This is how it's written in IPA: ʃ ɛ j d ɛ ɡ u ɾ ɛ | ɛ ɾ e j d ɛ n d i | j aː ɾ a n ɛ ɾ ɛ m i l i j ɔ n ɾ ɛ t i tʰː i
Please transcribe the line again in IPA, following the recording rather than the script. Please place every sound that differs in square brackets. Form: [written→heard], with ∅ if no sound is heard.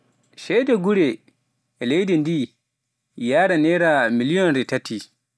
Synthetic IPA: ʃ ɛ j d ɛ ɡ u ɾ ɛ | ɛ [ɾ→l] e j d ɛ n d i | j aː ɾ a n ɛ ɾ [ɛ→a] m i l i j ɔ n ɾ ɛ t [i→a] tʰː i